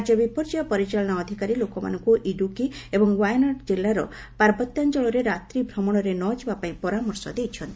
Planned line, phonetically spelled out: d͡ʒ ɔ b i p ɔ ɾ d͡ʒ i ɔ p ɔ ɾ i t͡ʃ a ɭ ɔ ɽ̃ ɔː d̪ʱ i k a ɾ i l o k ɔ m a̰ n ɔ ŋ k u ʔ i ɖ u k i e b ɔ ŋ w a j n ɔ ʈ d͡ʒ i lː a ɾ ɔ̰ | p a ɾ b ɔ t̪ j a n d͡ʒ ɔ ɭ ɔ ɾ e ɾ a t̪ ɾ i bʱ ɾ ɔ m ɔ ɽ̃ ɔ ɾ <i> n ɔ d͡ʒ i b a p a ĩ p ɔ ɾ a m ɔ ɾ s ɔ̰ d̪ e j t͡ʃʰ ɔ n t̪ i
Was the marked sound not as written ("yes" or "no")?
yes